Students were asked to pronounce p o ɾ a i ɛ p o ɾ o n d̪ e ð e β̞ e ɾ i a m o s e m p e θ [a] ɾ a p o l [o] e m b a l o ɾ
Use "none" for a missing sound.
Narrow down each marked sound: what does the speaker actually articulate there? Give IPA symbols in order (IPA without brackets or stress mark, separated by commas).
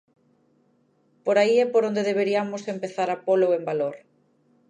a, o